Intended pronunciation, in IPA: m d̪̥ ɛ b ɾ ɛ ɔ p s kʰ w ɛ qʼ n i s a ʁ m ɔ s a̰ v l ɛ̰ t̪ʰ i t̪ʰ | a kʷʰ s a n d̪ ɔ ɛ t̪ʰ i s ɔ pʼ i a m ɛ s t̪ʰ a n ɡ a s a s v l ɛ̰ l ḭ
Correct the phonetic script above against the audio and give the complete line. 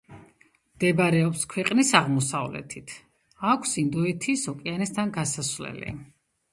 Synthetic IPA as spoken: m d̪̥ ɛ b ɾ ɛ ɔ p s kʰ w ɛ qʼ n i s a ʁ m ɔ s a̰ v l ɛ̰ t̪ʰ i t̪ʰ | a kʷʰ s i n d̪ ɔ ɛ t̪ʰ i s ɔ kʼ i a n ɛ s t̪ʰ a n ɡ a s a s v l ɛ̰ l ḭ